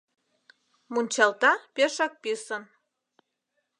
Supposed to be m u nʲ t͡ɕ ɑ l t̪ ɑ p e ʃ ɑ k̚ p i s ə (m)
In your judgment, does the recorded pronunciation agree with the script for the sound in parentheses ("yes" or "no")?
no